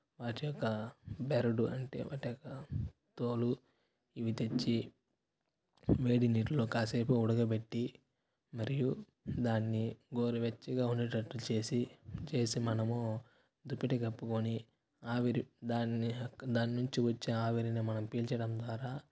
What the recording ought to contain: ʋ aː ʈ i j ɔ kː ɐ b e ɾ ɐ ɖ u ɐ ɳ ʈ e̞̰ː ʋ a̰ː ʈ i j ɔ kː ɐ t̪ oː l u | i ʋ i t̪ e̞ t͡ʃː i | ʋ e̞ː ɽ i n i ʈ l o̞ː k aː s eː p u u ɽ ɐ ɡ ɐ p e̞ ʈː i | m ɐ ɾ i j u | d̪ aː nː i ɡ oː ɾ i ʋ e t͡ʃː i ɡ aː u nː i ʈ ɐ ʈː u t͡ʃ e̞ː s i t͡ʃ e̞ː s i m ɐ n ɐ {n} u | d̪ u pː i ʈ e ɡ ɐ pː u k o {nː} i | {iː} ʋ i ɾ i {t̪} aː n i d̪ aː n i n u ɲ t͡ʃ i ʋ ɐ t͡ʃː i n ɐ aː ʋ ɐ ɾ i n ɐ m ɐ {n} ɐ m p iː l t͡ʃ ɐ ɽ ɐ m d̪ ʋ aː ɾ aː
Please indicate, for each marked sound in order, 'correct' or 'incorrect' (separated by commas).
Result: incorrect, incorrect, incorrect, incorrect, correct